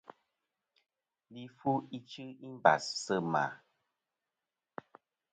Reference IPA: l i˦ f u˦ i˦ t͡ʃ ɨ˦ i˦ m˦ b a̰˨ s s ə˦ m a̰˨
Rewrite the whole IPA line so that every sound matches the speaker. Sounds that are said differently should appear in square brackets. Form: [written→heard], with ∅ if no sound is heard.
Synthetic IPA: l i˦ f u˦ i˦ t͡ʃ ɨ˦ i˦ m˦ b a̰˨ s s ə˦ m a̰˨